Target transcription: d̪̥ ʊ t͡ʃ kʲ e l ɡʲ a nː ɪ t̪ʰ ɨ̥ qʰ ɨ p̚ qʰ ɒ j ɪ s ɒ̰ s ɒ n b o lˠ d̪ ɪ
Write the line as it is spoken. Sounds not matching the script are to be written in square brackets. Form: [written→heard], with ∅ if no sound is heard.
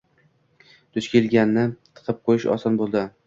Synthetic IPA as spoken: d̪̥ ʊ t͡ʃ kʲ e l ɡʲ a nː ɪ t̪ʰ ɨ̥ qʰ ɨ p̚ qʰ [ɒ→o] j ɪ [s→ʃ] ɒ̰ s ɒ n b o lˠ d̪ ɪ